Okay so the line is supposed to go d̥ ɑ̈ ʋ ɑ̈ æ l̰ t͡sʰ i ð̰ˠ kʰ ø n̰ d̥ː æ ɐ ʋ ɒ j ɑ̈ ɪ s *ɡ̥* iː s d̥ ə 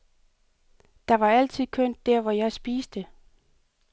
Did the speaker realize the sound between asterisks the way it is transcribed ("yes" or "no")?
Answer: no